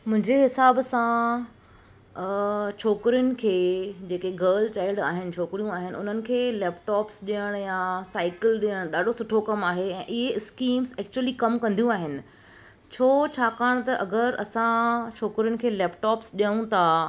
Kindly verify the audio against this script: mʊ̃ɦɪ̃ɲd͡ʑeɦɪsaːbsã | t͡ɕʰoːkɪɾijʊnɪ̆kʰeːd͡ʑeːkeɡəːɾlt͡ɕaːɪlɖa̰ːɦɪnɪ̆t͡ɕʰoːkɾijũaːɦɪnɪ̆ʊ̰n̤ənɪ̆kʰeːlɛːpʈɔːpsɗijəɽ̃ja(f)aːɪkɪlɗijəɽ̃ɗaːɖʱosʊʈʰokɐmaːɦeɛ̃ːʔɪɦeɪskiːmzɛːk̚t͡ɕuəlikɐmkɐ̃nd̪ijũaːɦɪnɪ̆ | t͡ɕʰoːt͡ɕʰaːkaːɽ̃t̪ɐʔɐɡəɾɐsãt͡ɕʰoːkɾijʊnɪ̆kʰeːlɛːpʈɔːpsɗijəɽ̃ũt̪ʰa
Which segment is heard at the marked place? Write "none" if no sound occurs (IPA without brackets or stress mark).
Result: s